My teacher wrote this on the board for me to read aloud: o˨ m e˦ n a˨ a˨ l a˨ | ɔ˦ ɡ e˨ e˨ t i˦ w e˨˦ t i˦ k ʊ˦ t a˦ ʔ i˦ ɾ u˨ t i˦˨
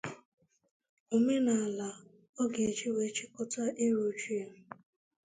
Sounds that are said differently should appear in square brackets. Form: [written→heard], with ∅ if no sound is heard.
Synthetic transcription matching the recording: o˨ m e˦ n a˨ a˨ l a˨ | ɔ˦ ɡ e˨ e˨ [t→t͡ʃ] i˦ w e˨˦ [t→t͡ʃ] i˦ k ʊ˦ t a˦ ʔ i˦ ɾ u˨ [t→t͡ʃ] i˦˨